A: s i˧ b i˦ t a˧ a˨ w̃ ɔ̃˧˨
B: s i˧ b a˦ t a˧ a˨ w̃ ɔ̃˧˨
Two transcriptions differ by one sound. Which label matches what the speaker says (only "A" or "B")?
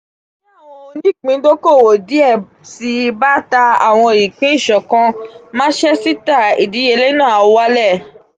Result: B